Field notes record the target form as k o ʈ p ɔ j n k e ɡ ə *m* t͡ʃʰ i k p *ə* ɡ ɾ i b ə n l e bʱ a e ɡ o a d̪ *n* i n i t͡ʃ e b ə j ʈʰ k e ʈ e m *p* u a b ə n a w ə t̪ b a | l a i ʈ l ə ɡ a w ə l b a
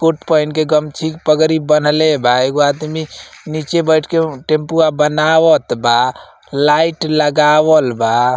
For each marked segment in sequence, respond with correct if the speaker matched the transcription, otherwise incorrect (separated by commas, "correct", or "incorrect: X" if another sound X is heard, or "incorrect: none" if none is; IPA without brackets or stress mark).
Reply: correct, correct, incorrect: m, correct